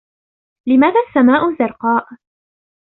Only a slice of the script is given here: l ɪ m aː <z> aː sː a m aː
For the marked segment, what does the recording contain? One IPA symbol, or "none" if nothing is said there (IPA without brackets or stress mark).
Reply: ð